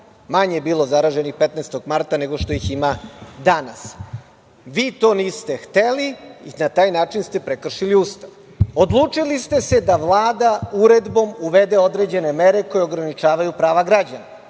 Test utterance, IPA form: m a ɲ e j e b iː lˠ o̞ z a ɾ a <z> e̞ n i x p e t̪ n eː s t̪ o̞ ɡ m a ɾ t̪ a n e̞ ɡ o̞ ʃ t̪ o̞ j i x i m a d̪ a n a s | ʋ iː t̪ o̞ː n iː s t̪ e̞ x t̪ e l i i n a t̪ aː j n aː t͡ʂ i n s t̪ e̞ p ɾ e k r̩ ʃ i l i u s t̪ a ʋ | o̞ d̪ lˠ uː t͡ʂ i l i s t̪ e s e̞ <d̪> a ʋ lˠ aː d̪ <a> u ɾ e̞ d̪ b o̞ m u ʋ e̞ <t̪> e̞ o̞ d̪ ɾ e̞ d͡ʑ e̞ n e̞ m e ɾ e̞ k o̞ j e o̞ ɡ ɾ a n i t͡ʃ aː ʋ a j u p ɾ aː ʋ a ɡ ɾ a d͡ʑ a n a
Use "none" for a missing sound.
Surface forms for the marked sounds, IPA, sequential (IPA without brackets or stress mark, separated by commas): ʒ, d̪, a, d̪